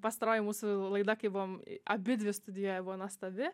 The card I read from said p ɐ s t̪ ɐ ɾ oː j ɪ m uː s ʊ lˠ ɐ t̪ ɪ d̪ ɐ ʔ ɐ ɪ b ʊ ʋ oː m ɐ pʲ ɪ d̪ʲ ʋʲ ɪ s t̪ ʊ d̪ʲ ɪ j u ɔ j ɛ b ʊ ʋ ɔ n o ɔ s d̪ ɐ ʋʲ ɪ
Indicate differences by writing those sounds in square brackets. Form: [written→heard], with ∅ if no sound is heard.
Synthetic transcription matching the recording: p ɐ s t̪ ɐ ɾ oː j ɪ m uː s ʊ lˠ ɐ [t̪→∅] ɪ d̪ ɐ [ʔ→k] ɐ ɪ b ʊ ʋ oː m ɐ [pʲ→bʲ] ɪ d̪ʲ ʋʲ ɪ s t̪ ʊ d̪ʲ ɪ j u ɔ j ɛ b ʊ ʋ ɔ n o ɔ s [d̪→t̪] ɐ ʋʲ ɪ